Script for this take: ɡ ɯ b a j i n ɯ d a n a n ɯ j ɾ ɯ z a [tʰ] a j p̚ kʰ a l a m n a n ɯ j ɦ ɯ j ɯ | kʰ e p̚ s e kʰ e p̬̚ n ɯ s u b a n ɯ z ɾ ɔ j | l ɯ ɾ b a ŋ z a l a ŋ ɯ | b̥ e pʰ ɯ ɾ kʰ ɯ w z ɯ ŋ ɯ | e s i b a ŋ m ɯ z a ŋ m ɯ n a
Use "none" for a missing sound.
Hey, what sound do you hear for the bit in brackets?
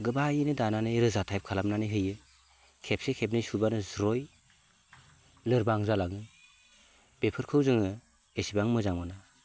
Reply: tʰ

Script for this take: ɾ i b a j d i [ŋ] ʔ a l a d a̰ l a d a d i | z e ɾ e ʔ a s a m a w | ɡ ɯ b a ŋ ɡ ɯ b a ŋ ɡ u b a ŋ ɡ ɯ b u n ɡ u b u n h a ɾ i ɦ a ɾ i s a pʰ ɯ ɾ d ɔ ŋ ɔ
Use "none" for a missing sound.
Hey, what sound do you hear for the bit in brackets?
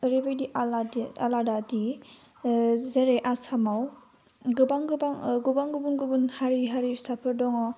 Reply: none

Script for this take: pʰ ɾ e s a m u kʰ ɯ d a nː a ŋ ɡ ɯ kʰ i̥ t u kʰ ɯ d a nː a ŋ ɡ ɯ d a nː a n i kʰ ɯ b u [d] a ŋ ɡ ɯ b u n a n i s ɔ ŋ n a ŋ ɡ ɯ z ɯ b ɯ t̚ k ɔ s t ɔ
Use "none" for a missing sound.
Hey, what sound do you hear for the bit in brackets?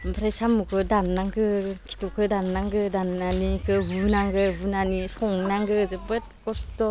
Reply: n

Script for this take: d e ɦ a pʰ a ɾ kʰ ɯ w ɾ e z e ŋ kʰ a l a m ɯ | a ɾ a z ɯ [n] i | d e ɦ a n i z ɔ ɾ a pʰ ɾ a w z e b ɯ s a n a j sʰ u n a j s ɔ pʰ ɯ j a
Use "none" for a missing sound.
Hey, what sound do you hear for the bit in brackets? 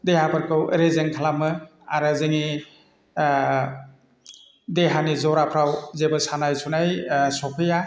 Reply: ŋ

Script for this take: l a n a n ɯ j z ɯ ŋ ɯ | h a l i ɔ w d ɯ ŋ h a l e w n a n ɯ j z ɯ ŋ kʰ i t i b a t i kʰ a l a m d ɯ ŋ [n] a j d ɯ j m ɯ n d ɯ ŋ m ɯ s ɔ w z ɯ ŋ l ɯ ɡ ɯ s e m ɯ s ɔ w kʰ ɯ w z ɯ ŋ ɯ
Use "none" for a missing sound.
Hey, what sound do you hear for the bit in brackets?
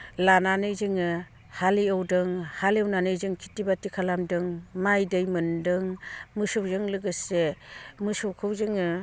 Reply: m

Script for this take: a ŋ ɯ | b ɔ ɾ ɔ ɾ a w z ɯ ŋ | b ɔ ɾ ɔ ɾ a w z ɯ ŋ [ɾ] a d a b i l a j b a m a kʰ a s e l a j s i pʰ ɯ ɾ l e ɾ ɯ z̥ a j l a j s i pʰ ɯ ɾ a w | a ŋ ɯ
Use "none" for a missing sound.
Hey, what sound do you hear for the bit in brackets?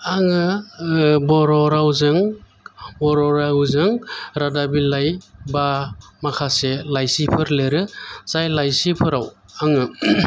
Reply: ɾ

